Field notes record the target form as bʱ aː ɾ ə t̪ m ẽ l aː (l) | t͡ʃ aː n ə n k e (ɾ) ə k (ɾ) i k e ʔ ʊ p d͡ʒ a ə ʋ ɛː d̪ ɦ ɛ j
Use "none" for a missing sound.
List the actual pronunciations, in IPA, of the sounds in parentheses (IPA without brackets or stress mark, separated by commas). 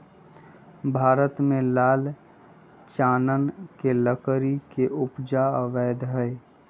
l, l, ɾ